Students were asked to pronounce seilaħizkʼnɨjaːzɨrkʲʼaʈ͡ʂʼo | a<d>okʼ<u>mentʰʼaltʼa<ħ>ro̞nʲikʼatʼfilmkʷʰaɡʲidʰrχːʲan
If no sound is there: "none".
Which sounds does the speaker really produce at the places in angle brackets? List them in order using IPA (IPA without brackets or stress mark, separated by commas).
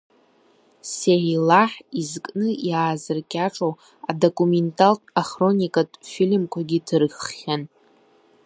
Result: d, u, χ